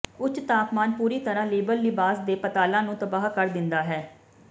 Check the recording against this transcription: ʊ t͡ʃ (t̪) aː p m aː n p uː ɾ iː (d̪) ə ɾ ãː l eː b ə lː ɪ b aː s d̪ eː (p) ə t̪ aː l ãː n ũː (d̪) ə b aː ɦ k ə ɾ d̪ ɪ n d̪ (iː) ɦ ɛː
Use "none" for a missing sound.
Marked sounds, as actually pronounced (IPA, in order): t̪, t̪, p, t̪, aː

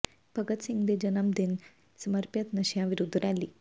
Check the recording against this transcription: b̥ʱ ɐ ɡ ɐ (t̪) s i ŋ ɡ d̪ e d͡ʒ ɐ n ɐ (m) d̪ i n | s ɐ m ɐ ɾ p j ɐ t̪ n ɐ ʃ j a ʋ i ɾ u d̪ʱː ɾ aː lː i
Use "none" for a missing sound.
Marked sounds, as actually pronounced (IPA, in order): t̪, m

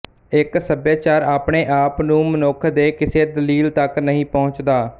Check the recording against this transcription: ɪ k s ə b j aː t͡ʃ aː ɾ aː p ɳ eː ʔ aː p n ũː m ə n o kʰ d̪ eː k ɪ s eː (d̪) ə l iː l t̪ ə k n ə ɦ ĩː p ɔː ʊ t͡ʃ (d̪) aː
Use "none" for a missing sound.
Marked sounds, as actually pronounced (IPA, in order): d̪, d̪

